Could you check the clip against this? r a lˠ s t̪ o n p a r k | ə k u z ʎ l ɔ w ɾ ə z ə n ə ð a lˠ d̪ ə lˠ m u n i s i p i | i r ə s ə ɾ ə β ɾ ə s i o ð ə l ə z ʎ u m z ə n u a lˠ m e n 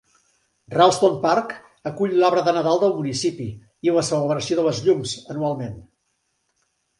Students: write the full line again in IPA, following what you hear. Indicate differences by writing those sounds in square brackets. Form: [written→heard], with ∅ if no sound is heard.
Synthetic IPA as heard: r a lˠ s t̪ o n p a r k | ə k u [z→∅] ʎ l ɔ [w→β] ɾ ə [z→ð] ə n ə ð a lˠ d̪ ə lˠ m u n i s i p i | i [r→l] ə s ə [ɾ→l] ə β ɾ ə s i o ð ə l ə z ʎ u m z ə n u a lˠ m e n